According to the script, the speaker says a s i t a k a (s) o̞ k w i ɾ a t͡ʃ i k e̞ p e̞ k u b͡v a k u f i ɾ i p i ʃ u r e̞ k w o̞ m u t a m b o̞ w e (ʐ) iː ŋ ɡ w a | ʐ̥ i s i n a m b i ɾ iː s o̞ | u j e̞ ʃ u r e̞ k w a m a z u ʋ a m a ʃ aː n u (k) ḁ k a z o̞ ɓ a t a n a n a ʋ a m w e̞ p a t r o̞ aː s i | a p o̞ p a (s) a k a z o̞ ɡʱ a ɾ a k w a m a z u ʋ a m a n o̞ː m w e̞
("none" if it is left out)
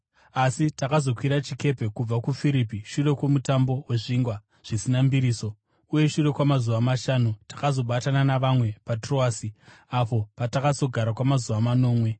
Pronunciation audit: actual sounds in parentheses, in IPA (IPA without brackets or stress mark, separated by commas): z, ʐ, t, t